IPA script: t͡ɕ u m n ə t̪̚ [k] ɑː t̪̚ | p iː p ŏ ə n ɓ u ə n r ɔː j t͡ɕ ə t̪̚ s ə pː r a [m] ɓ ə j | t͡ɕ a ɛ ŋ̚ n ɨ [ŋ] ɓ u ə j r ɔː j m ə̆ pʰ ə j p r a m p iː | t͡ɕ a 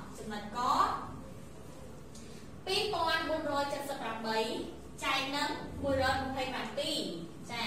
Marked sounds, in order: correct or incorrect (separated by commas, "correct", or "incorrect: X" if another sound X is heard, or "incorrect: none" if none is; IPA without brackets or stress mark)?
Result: correct, correct, correct